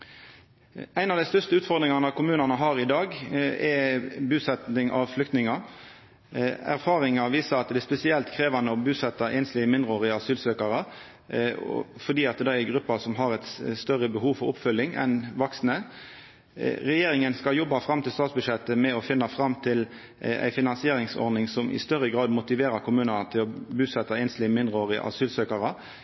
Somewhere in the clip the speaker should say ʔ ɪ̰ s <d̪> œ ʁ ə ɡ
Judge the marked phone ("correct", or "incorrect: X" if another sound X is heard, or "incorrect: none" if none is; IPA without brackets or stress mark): incorrect: t̪